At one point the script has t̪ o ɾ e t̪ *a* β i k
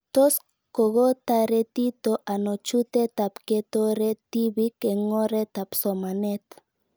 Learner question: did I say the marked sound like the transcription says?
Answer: no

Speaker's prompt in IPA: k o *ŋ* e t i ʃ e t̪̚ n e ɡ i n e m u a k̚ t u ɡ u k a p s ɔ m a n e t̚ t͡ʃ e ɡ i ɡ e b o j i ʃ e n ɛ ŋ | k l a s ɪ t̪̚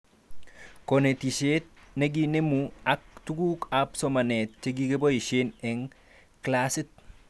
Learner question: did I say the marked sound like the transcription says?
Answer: no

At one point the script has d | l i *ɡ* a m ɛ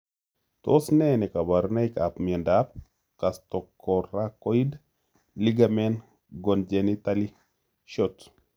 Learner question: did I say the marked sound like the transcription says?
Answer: yes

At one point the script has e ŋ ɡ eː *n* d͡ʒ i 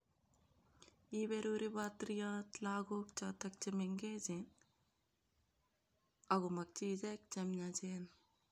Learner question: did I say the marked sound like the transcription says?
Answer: no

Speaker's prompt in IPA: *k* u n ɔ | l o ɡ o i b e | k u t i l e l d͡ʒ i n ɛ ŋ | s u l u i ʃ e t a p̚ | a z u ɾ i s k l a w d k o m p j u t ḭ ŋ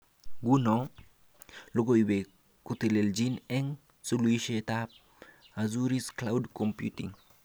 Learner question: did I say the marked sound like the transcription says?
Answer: no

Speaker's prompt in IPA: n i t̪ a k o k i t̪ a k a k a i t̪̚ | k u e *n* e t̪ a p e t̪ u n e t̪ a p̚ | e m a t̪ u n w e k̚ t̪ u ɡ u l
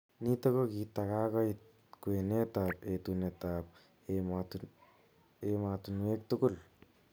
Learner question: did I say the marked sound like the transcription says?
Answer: yes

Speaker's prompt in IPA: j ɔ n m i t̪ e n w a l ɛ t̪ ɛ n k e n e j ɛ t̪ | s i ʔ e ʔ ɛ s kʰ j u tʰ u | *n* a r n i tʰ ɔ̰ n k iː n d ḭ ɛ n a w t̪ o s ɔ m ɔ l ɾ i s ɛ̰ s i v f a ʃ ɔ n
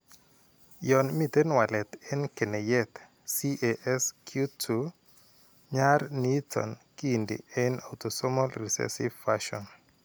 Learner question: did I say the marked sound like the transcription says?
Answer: no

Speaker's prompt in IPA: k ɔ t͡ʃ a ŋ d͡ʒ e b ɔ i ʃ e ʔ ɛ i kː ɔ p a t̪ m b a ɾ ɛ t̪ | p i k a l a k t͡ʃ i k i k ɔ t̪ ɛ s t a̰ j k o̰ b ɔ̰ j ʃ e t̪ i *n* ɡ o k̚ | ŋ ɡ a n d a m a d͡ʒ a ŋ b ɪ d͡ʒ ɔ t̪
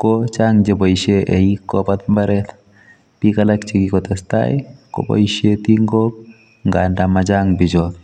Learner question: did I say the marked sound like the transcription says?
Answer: no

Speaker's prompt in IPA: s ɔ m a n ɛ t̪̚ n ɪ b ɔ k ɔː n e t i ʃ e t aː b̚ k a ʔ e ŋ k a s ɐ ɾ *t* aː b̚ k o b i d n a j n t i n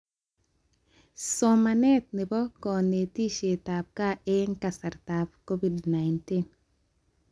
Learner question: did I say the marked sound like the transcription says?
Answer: yes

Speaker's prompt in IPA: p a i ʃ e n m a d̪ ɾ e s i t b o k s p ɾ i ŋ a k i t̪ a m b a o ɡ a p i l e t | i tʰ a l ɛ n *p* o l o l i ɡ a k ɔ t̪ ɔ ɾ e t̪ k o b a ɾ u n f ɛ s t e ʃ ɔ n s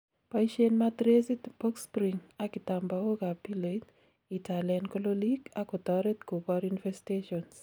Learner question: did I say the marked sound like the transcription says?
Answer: no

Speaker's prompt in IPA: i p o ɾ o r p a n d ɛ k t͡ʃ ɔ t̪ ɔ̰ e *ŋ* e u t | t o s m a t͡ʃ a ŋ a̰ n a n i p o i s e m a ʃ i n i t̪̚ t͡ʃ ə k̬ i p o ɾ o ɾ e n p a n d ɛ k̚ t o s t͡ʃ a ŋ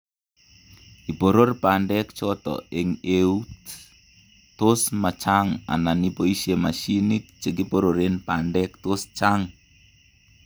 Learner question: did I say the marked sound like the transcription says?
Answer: yes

